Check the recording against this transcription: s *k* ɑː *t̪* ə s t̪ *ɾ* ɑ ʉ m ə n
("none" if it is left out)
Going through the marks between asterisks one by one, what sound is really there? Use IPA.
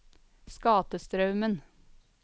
k, t̪, ɾ

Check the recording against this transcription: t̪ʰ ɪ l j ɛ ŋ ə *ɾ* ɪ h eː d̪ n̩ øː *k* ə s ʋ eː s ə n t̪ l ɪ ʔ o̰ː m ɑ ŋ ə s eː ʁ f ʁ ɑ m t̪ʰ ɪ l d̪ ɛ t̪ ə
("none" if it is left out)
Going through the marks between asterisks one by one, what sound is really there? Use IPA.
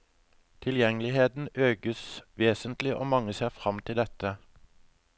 l, ɡ

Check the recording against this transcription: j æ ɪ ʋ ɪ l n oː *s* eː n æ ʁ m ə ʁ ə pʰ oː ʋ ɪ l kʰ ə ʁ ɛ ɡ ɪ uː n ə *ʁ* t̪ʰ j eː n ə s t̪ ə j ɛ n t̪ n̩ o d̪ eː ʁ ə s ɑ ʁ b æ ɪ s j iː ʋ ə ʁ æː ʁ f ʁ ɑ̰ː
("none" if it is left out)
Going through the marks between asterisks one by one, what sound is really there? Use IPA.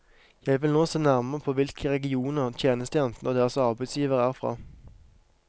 s, ʁ

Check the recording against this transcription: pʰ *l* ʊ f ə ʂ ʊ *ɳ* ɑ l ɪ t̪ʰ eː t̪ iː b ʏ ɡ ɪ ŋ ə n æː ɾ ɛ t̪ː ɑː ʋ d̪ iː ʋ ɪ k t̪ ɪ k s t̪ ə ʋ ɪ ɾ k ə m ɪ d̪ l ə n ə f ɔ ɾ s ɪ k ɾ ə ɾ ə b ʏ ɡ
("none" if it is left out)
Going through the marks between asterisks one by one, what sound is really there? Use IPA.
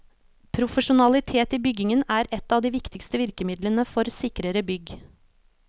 ɾ, n

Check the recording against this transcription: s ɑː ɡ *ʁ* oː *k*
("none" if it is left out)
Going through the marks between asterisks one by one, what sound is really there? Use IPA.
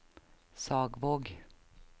v, ɡ

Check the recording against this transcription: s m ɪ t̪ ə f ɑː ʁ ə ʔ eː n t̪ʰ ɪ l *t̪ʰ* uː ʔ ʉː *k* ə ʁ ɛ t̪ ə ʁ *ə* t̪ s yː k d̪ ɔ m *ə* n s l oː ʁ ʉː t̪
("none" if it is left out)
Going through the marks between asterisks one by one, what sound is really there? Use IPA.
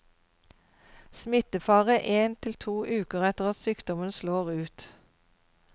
t̪ʰ, k, ɑ, ə

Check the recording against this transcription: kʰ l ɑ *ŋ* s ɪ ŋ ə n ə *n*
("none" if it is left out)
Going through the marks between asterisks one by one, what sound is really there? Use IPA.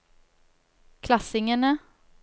none, none

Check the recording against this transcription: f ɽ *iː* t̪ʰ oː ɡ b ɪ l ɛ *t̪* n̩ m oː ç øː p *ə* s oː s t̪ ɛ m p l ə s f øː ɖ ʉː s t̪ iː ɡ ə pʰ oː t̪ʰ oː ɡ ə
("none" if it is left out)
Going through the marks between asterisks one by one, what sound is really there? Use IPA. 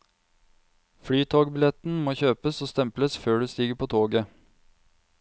yː, t̪, ə

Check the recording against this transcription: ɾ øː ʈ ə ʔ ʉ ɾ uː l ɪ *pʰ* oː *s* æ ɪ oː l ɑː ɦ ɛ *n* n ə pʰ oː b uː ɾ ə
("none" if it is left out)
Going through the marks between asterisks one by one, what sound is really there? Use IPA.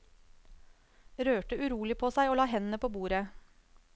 pʰ, s, n

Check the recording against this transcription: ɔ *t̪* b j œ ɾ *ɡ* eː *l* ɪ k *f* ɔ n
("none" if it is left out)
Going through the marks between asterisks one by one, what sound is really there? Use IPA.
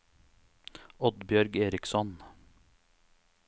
d̪, ɡ, ɾ, s

